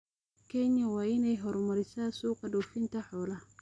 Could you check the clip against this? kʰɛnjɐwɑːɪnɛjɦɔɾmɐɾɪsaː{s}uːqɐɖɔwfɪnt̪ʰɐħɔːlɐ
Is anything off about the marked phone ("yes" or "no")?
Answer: no